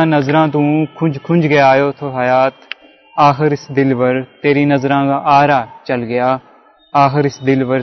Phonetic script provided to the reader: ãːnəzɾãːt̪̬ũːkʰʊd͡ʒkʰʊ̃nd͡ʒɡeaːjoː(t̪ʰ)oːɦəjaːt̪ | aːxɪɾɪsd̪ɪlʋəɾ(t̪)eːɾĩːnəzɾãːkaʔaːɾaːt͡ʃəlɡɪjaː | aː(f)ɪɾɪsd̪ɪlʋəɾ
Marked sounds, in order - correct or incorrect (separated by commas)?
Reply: correct, correct, incorrect